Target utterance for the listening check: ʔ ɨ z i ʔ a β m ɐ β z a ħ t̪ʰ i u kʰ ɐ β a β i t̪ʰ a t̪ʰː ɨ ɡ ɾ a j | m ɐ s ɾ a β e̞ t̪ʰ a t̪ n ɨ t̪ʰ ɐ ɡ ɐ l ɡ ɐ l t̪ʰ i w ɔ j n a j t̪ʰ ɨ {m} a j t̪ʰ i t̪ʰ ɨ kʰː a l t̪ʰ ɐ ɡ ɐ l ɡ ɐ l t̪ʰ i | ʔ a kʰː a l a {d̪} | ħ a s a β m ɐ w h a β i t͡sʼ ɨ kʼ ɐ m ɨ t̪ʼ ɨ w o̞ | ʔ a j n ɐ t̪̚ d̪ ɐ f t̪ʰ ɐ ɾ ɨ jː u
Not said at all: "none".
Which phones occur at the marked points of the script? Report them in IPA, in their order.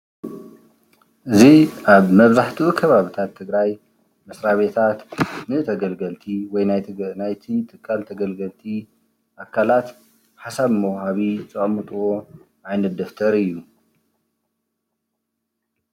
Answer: n, t̪

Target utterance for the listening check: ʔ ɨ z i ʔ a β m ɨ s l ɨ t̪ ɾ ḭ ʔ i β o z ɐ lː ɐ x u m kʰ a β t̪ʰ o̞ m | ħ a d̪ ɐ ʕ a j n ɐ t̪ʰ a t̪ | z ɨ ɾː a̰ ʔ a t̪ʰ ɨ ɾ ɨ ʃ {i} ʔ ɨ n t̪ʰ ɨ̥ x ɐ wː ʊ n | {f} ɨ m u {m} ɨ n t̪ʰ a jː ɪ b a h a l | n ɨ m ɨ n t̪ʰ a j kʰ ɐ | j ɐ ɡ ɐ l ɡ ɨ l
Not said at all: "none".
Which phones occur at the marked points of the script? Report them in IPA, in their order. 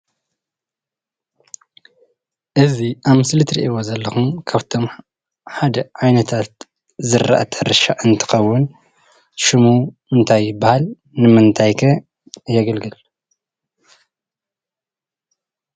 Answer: a, ʃ, m

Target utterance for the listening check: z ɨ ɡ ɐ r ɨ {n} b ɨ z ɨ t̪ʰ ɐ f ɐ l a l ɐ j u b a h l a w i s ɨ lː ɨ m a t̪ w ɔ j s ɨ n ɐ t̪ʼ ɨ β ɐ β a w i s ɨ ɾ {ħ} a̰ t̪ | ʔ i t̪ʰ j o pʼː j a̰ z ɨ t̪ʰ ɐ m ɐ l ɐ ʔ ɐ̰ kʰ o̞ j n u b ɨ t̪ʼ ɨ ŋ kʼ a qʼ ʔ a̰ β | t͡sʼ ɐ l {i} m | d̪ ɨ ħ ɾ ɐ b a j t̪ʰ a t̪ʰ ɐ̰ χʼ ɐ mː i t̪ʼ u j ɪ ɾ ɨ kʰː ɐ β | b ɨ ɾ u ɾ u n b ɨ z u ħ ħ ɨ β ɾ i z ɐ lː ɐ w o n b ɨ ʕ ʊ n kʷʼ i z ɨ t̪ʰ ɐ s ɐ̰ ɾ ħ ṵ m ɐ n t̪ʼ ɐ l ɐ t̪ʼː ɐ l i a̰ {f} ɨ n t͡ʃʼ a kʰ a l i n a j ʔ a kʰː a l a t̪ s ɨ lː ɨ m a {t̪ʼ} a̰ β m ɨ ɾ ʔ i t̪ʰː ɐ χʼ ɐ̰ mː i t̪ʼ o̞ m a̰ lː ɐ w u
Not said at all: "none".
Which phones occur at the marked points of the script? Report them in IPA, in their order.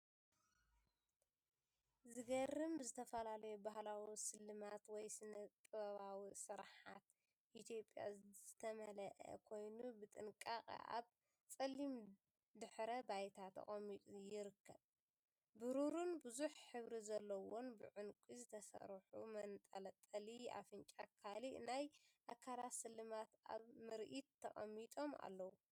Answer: m, ħ, i, f, t̪

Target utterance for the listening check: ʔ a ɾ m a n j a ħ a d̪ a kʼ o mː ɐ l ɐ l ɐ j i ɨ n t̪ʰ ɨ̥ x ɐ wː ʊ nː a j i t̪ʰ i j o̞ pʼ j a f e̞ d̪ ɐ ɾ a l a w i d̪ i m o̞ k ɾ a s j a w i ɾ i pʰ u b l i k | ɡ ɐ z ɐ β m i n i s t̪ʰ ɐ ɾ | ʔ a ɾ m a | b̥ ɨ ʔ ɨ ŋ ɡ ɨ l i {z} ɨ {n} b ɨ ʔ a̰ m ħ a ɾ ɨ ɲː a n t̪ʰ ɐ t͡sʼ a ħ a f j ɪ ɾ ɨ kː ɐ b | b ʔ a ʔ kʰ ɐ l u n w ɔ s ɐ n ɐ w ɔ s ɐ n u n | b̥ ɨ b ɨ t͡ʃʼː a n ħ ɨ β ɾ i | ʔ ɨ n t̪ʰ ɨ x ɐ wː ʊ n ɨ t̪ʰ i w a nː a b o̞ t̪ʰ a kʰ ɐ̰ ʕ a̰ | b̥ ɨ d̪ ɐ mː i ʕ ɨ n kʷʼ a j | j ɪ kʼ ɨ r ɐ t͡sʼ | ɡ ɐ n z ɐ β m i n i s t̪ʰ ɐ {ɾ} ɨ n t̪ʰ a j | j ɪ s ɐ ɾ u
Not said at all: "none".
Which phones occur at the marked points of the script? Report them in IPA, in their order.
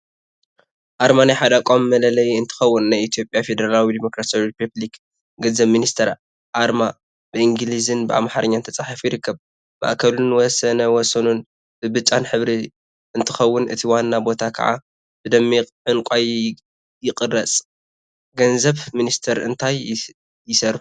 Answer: z, n, ɾ

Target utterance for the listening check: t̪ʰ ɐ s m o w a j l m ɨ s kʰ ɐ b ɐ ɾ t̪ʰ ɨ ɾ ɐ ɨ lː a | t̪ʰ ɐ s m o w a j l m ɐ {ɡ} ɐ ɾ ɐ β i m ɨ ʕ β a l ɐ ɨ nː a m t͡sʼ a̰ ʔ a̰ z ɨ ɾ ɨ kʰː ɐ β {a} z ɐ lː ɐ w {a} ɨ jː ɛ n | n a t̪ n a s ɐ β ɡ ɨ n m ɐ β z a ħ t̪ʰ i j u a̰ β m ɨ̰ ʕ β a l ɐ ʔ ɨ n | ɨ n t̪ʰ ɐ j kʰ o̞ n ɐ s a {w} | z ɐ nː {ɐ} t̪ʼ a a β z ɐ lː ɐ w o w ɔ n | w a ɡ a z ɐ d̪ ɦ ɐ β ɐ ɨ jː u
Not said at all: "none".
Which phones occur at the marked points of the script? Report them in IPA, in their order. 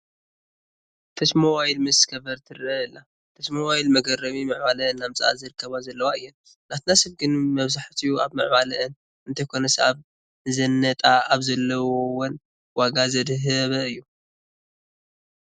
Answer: ɡ, a, a, β, ɐ

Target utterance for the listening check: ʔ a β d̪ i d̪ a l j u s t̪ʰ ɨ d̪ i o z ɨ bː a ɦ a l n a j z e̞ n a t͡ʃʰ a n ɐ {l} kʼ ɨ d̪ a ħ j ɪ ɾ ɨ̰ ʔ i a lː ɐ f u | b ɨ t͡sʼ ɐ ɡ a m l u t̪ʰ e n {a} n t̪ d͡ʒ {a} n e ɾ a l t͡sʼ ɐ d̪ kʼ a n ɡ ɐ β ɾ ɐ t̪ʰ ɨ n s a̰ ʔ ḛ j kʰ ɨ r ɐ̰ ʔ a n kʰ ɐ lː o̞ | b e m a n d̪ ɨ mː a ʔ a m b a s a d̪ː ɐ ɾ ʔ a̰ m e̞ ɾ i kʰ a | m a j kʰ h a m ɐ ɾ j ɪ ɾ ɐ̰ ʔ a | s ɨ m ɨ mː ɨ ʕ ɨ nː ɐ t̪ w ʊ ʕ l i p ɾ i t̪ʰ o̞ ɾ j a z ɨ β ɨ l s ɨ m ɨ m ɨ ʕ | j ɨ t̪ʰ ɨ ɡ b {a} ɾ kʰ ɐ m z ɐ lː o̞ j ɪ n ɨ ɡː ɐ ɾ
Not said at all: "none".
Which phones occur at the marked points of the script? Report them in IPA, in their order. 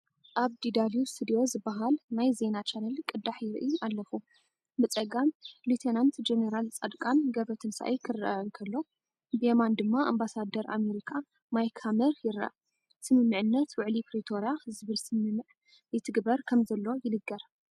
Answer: l, a, e, ɐ

